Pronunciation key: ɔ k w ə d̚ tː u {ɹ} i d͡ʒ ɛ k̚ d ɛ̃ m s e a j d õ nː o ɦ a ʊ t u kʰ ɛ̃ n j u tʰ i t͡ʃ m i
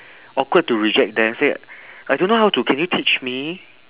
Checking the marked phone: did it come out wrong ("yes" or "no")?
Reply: no